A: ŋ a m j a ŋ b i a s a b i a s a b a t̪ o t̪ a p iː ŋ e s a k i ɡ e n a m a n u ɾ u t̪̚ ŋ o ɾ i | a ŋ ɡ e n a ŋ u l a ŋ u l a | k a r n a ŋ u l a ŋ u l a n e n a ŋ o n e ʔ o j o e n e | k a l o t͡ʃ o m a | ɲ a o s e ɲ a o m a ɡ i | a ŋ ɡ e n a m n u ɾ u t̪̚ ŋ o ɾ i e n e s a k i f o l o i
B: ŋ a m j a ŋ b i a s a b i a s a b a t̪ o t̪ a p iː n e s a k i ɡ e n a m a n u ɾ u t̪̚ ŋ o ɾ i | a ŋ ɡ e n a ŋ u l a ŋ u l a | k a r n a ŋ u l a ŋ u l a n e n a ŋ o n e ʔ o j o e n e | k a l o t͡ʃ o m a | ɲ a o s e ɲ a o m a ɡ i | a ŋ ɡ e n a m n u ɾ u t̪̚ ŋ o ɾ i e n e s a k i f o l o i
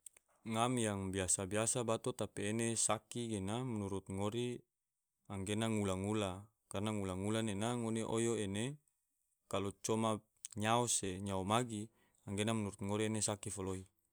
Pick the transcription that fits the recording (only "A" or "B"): B